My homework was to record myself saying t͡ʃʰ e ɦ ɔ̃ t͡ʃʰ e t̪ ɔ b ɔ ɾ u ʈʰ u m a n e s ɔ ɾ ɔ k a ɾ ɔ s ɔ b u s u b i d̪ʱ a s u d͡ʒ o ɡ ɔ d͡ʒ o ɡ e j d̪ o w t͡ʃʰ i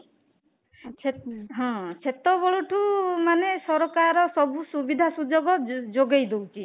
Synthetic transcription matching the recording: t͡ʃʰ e ɦ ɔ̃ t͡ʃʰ e t̪ ɔ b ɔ ɭ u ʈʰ u m a n e s ɔ ɾ ɔ k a ɾ ɔ s ɔ b u s u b i d̪ʱ a s u d͡ʒ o ɡ ɔ d͡ʒ o ɡ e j d̪ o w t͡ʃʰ i